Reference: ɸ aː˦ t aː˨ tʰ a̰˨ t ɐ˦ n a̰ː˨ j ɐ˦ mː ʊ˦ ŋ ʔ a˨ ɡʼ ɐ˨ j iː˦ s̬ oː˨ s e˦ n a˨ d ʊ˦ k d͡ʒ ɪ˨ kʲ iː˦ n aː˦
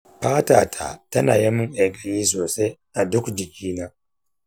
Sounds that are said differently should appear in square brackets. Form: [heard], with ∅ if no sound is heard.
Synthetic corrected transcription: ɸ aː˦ t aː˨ tʰ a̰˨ t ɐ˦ n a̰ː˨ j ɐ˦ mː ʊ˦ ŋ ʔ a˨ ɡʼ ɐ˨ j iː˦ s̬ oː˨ s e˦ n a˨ d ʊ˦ k d͡ʒ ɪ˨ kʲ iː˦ n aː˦